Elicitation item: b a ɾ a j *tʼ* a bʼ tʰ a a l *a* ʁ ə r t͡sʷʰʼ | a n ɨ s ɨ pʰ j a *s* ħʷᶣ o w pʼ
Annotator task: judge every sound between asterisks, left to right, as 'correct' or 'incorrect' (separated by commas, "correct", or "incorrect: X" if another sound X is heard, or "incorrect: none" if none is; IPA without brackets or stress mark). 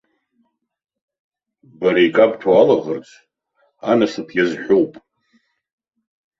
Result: incorrect: kʼ, correct, incorrect: z